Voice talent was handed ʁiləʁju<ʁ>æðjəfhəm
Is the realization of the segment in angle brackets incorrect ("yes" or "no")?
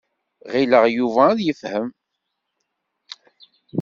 yes